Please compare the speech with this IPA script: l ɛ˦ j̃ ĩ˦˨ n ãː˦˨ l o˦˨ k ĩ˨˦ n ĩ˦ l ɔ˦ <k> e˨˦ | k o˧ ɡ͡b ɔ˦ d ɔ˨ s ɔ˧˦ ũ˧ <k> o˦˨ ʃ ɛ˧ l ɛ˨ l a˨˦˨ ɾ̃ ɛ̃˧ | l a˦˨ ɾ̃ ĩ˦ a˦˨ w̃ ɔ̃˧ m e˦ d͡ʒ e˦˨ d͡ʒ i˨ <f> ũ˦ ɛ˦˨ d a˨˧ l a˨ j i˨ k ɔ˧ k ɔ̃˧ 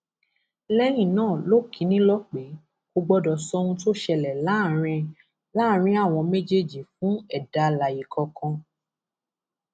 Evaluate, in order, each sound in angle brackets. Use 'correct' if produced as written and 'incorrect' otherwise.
incorrect: k͡p, incorrect: t, correct

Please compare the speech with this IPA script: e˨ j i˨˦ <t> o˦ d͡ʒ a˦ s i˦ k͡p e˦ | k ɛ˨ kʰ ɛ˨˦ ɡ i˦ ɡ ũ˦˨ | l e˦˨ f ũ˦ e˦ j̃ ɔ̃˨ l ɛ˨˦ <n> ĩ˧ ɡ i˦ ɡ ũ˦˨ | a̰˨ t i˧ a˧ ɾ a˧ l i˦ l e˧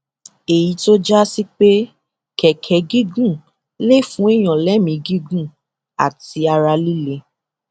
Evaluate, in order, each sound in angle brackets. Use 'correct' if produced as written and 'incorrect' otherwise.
correct, incorrect: m

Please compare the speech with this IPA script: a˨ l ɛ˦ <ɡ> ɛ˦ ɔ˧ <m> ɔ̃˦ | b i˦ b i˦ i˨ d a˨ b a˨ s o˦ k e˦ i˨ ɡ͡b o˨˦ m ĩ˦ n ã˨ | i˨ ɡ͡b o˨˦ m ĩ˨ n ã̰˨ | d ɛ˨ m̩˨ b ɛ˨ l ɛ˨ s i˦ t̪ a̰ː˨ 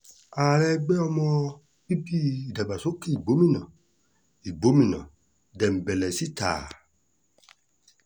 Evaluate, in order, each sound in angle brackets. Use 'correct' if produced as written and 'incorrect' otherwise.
incorrect: ɡ͡b, correct

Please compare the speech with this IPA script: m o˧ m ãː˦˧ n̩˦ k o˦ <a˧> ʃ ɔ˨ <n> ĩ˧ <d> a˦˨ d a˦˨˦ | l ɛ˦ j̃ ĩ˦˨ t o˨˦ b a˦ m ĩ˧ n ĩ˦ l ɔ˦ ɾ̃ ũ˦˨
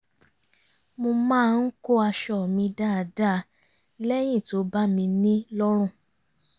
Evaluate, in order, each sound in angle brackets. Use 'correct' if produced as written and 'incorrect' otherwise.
correct, incorrect: m, correct

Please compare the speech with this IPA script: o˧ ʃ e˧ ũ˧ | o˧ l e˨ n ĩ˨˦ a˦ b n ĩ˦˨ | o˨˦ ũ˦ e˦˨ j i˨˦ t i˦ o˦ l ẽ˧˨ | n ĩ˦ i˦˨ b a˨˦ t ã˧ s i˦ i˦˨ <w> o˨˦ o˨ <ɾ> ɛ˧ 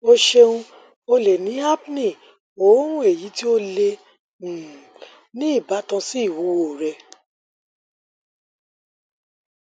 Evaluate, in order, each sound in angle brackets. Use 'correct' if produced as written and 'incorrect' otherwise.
correct, correct

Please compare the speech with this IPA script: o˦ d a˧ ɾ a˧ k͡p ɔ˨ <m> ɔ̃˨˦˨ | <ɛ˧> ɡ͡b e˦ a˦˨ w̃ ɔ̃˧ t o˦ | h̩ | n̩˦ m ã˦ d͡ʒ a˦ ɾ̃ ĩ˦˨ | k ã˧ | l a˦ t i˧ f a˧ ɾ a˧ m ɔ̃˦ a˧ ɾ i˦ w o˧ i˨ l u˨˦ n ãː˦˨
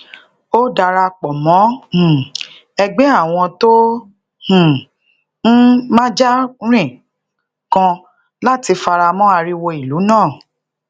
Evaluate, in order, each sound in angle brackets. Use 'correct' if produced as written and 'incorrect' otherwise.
correct, correct

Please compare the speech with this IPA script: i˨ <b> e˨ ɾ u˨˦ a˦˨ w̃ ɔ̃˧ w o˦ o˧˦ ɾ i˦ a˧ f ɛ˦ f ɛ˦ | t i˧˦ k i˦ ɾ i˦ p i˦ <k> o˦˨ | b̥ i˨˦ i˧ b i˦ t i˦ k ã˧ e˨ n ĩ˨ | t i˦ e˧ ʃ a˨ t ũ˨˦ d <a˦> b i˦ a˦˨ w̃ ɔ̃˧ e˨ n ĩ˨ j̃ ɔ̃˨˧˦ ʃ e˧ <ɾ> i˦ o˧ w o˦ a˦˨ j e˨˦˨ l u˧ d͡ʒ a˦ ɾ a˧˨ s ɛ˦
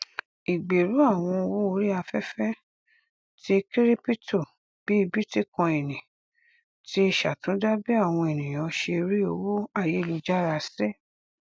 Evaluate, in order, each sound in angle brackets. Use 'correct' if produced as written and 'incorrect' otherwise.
incorrect: ɡ͡b, incorrect: t, correct, correct

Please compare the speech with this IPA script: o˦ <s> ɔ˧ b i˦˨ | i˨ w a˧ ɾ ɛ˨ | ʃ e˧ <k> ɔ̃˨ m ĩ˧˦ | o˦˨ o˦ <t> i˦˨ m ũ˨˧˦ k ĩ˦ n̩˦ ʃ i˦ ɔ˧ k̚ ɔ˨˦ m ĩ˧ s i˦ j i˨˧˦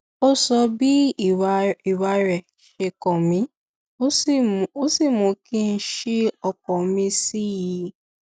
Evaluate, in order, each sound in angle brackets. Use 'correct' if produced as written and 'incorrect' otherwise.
correct, correct, incorrect: s

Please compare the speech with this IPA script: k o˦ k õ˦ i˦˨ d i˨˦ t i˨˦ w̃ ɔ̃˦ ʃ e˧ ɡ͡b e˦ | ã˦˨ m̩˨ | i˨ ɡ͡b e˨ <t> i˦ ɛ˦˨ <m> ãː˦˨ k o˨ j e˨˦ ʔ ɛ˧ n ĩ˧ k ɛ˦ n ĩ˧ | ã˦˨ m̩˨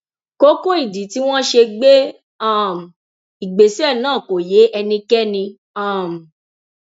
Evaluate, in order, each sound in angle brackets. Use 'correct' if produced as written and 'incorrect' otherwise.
incorrect: s, incorrect: n

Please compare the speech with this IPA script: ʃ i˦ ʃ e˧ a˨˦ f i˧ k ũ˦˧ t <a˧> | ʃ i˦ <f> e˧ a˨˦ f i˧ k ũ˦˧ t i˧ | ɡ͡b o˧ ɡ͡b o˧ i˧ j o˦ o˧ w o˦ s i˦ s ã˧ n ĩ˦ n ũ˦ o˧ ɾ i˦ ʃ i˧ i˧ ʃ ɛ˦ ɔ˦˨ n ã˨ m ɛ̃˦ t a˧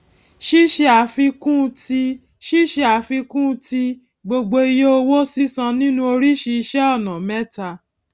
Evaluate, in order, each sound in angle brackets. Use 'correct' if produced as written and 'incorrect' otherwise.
incorrect: i˧, incorrect: ʃ

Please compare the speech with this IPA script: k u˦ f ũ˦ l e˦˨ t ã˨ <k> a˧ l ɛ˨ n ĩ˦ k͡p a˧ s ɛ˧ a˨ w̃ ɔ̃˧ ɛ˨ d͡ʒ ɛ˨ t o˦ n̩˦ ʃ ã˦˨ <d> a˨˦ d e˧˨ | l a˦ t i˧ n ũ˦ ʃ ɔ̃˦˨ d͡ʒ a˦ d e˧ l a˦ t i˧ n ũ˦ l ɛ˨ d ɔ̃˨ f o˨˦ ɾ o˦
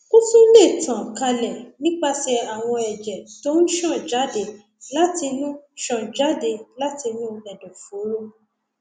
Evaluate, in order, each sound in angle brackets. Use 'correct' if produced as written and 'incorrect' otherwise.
correct, incorrect: d͡ʒ

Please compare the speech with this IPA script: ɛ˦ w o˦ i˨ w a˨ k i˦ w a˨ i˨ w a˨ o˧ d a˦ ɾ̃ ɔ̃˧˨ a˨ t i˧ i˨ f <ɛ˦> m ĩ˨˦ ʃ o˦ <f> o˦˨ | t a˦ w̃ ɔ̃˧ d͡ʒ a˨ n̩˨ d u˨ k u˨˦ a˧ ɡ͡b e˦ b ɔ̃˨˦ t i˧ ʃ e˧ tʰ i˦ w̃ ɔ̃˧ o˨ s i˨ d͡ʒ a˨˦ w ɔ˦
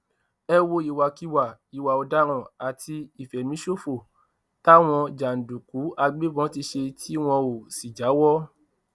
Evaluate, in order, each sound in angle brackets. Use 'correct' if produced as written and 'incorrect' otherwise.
incorrect: ɛ˨, correct

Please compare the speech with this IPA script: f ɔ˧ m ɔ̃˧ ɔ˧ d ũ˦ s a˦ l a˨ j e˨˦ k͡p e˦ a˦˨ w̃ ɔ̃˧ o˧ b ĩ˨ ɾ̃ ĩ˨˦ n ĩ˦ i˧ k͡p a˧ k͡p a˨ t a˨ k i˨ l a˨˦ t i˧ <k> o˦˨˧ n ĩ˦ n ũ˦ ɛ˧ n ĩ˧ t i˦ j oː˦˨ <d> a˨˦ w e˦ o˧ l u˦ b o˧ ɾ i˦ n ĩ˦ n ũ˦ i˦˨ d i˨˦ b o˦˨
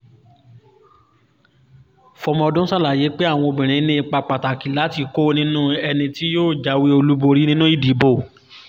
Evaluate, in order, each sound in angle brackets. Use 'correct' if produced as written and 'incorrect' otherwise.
correct, incorrect: d͡ʒ

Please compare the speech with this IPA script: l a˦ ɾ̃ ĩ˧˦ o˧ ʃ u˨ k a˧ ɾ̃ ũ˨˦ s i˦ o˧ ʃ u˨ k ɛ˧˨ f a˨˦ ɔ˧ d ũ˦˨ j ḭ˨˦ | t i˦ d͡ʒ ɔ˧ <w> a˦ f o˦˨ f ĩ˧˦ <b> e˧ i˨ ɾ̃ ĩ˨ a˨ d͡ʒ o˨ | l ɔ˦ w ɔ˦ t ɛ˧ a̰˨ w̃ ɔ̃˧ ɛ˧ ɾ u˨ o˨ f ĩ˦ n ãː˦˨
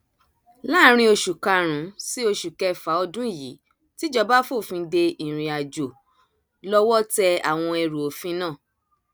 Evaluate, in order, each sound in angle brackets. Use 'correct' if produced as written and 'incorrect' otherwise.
incorrect: b, incorrect: d

